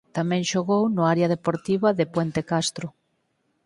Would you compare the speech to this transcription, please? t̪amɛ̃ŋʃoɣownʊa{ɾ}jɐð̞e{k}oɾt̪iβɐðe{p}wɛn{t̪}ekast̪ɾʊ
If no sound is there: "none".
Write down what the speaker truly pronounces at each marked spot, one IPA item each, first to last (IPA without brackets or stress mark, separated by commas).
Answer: ɾ, p, p, t̪